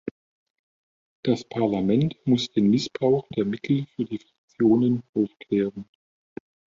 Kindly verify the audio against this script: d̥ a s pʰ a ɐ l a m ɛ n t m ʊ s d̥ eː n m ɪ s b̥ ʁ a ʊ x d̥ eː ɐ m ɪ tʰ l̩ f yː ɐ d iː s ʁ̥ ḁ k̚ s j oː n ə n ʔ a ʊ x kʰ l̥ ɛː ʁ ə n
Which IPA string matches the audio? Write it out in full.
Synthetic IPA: d̥ a s pʰ a ɐ l a m ɛ n t m ʊ s d̥ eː n m ɪ s b̥ ʁ a ʊ x d̥ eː ɐ m ɪ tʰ l̩ f yː ɐ d iː f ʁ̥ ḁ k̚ t͡s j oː n ə n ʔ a ʊ f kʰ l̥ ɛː ʁ ə n